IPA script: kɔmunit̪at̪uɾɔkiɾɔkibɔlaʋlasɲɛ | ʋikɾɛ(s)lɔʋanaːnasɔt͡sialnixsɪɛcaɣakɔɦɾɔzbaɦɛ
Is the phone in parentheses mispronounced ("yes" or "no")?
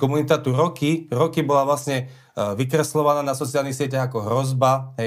no